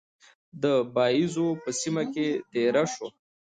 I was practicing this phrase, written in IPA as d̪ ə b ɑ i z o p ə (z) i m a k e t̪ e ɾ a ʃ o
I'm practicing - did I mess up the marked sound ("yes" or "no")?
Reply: yes